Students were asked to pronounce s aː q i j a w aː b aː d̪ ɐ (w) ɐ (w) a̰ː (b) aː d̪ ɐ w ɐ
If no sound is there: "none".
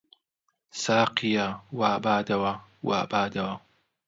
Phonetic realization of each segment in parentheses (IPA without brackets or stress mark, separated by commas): w, w, b